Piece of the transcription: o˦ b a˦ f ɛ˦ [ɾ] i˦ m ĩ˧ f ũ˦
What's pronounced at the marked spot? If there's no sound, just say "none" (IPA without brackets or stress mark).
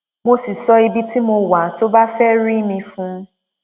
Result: ɾ